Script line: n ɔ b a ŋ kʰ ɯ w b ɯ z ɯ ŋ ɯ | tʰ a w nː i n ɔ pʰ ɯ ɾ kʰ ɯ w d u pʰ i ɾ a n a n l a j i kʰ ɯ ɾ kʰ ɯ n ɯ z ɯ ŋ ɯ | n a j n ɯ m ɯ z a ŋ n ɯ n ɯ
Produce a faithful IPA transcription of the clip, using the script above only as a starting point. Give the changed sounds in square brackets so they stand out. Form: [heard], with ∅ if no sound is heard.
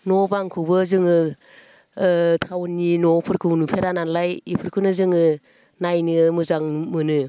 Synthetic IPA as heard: n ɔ b a ŋ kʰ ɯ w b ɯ z ɯ ŋ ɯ | tʰ a w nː i n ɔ pʰ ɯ ɾ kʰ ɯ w [n] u pʰ [e] ɾ a n a n l a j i [pʰ] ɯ ɾ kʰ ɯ n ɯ z ɯ ŋ ɯ | n a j n ɯ m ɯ z a ŋ [m] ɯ n ɯ